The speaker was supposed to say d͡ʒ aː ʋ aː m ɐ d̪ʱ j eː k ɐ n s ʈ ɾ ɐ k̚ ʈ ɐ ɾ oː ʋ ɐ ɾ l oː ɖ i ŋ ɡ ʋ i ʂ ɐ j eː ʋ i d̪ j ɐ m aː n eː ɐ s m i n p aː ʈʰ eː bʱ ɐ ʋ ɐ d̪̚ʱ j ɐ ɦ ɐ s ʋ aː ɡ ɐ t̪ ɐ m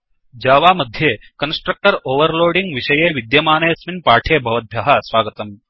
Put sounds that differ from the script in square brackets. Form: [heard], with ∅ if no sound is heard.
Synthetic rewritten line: d͡ʒ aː ʋ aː m ɐ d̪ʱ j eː k ɐ n s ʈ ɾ ɐ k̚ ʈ ɐ ɾ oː ʋ ɐ ɾ l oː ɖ i ŋ ɡ ʋ i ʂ ɐ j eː ʋ i d̪ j ɐ m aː n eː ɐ s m i n p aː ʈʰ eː bʱ ɐ ʋ ɐ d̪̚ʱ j ɐ ɦ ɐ s ʋ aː ɡ ɐ t̪ ɐ m